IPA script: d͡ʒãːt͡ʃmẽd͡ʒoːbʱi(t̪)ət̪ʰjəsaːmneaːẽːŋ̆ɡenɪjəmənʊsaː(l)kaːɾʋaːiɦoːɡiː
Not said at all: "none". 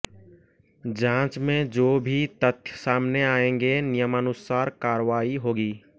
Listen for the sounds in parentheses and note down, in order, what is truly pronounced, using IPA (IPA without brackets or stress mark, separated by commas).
t̪, ɾ